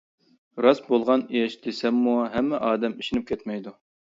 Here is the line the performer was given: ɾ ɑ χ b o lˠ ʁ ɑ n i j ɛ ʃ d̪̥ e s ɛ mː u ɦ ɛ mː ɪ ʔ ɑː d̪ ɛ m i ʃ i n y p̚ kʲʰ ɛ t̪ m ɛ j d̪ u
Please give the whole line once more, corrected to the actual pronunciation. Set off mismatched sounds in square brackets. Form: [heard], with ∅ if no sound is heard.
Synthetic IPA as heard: ɾ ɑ [s] b o lˠ ʁ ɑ n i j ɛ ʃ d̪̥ e s ɛ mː u ɦ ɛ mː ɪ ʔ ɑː d̪ ɛ m i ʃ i n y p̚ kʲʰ ɛ t̪ m ɛ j d̪ u